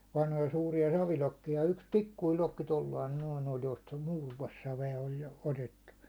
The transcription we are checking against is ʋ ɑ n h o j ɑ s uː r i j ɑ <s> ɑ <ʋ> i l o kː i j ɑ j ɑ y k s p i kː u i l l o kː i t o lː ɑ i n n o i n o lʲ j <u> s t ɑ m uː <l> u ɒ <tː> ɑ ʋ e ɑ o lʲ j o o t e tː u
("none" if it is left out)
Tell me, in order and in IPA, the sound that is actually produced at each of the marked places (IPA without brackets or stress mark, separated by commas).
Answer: s, ʋ, o, r, sː